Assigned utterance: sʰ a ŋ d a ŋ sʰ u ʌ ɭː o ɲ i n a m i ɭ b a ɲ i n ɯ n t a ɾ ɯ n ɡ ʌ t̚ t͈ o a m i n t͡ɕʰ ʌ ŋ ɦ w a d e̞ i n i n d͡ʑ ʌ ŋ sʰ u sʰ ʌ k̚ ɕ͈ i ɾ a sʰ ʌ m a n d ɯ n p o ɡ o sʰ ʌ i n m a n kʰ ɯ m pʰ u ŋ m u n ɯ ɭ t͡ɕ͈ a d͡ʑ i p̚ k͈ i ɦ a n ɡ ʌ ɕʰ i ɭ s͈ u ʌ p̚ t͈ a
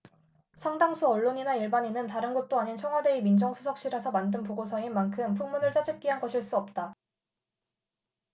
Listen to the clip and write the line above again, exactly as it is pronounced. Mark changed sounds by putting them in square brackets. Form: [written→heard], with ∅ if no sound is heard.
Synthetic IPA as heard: sʰ a ŋ d a ŋ sʰ u ʌ ɭː o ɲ i n a [m→∅] i ɭ b a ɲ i n ɯ n t a ɾ ɯ n ɡ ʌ t̚ t͈ o a [m→ɲ] i n t͡ɕʰ ʌ ŋ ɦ w a d e̞ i [n→m] i n d͡ʑ ʌ ŋ sʰ u sʰ ʌ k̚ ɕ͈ i ɾ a sʰ ʌ m a n d ɯ n p o ɡ o sʰ ʌ i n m a n kʰ ɯ m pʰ u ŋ m u n ɯ ɭ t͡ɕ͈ a d͡ʑ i p̚ k͈ i ɦ a n ɡ ʌ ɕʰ i ɭ s͈ u ʌ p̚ t͈ a

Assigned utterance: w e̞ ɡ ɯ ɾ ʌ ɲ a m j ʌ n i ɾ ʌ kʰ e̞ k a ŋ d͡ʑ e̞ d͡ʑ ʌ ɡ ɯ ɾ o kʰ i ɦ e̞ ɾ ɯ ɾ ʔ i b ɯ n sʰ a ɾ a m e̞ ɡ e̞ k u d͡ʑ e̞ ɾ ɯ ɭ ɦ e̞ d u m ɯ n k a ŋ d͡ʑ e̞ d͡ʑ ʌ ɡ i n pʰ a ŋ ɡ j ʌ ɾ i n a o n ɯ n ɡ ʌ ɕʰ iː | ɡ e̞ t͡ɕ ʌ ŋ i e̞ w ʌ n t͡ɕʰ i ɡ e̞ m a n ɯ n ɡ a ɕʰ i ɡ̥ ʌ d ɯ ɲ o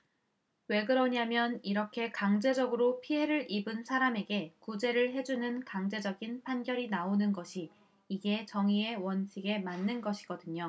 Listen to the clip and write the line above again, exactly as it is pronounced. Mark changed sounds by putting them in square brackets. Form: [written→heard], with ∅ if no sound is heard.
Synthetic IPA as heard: w e̞ ɡ ɯ ɾ ʌ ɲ a m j ʌ n i ɾ ʌ kʰ e̞ k a ŋ d͡ʑ e̞ d͡ʑ ʌ ɡ ɯ ɾ o [kʰ→pʰ] i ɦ e̞ ɾ ɯ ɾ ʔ i b ɯ n sʰ a ɾ a m e̞ ɡ e̞ k u d͡ʑ e̞ ɾ ɯ ɭ ɦ e̞ [d→d͡ʑ] u [m→n] ɯ n k a ŋ d͡ʑ e̞ d͡ʑ ʌ ɡ i n pʰ a [ŋ→n] ɡ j ʌ ɾ i n a o n ɯ n ɡ ʌ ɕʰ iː | ɡ e̞ t͡ɕ ʌ ŋ i e̞ w ʌ n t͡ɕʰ i ɡ e̞ m a [n→nː] ɯ n ɡ [a→ʌ] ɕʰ i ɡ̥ ʌ d ɯ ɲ o

